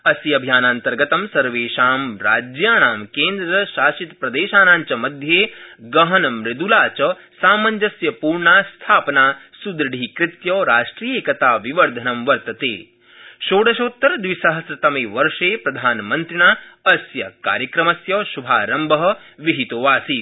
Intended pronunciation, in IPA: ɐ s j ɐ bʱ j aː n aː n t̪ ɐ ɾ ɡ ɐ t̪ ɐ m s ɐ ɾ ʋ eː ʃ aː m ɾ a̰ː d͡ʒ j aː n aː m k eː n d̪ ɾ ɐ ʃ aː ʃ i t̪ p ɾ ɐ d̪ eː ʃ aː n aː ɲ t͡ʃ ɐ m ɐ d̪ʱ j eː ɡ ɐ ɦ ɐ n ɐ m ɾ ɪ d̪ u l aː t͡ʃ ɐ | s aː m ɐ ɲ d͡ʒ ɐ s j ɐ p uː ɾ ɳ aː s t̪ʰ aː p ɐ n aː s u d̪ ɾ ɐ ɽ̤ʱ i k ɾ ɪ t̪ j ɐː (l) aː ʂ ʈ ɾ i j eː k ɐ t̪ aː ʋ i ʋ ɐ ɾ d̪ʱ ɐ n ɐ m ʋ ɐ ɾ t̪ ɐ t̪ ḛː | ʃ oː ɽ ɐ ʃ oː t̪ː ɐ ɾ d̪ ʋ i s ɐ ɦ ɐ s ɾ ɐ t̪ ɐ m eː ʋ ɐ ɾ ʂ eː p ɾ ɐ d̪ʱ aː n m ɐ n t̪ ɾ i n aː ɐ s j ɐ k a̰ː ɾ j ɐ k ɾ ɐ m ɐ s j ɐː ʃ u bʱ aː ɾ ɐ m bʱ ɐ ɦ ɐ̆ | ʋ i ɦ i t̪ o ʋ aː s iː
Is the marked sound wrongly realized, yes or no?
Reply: yes